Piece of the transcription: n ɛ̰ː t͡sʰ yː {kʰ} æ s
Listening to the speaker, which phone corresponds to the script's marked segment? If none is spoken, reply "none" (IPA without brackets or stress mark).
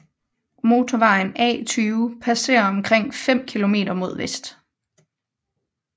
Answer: pʰ